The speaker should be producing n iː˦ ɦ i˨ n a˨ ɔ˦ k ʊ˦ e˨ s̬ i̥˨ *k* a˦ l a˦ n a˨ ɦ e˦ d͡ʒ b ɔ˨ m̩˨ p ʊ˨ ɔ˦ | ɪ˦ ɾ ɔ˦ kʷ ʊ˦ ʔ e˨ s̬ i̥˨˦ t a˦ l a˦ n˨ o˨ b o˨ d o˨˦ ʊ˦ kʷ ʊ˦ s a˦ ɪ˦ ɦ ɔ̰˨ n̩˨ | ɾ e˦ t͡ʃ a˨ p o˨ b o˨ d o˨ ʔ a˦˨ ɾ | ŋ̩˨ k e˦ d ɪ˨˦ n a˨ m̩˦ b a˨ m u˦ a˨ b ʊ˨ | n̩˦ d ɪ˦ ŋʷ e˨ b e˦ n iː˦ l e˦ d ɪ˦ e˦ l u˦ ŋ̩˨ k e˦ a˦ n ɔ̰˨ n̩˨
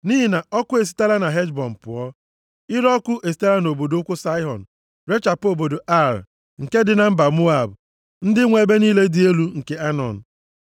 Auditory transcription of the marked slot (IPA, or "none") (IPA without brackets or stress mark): t